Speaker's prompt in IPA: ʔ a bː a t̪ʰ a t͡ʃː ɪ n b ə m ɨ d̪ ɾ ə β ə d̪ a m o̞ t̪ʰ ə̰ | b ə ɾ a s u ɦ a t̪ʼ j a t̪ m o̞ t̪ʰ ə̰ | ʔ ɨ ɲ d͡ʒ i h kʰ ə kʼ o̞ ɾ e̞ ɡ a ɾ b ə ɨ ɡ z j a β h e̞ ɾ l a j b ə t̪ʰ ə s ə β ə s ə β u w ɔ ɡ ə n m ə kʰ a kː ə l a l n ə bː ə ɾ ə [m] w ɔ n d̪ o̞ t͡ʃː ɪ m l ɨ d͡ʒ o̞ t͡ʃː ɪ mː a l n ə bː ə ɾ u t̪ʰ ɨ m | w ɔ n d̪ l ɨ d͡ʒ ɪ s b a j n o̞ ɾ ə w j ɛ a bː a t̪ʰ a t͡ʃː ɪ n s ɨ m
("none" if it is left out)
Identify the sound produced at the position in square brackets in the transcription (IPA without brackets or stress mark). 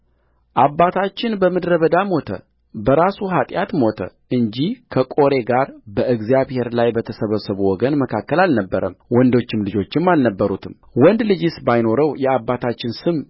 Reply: m